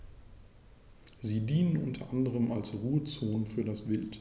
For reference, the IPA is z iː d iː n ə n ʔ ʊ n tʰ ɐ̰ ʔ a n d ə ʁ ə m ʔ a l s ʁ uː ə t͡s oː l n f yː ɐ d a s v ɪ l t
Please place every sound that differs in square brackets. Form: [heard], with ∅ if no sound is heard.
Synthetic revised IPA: z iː d iː n ə n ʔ ʊ n tʰ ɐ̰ ʔ a n d ə ʁ ə m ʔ a l s ʁ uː ə t͡s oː [∅] n f yː ɐ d a s v ɪ l t